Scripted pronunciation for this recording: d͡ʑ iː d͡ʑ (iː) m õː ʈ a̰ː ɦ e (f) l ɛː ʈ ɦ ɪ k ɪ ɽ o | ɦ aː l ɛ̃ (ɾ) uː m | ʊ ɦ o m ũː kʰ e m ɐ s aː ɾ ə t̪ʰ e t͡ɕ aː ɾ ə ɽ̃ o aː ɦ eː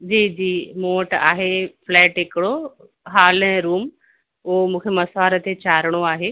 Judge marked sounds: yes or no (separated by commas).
yes, yes, yes